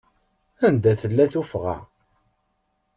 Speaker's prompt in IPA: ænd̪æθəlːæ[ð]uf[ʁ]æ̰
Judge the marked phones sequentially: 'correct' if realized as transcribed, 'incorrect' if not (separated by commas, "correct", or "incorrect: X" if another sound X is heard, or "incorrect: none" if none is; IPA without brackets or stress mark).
incorrect: θ, correct